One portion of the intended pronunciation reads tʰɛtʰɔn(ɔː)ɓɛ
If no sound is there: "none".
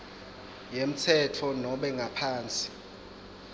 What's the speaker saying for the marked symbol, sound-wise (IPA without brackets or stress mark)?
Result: ɔ